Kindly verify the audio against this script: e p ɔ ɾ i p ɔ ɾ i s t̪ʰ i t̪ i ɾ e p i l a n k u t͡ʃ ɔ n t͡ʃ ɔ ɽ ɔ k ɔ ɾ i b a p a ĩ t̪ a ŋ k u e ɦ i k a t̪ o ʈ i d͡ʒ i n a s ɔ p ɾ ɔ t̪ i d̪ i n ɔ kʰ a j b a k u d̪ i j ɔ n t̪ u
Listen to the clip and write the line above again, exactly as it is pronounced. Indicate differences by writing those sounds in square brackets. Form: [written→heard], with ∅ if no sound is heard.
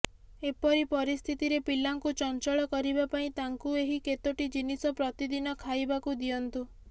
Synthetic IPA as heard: e p ɔ ɾ i p ɔ ɾ i s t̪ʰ i t̪ i ɾ e p i l a [n→ŋ] k u t͡ʃ ɔ n t͡ʃ ɔ [ɽ→ɭ] ɔ k ɔ ɾ i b a p a ĩ t̪ a ŋ k u e ɦ i k [a→e] t̪ o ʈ i d͡ʒ i n [a→i] s ɔ p ɾ ɔ t̪ i d̪ i n ɔ kʰ a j b a k u d̪ i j ɔ n t̪ u